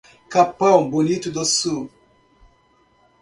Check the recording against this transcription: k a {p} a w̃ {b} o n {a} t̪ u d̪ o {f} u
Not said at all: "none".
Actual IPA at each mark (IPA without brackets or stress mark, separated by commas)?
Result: p, b, i, s